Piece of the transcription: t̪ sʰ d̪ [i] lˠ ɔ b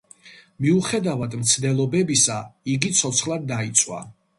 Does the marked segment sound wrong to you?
yes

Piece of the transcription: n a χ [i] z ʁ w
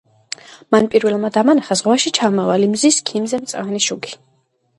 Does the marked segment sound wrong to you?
yes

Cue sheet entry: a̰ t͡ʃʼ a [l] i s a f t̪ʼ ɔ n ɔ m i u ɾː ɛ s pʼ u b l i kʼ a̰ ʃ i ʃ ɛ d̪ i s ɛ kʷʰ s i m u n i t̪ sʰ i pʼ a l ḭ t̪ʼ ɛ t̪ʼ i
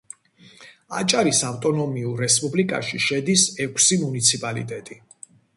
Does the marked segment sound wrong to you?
yes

